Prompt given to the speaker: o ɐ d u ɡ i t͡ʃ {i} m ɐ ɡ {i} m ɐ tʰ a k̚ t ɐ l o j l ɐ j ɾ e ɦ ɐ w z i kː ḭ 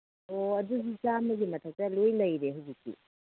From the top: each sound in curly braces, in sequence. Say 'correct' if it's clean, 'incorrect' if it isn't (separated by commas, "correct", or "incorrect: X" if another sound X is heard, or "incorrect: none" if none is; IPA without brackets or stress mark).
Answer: incorrect: a, correct